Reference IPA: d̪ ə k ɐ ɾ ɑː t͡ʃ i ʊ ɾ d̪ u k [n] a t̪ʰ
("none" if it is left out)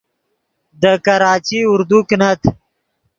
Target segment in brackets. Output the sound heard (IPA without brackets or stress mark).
n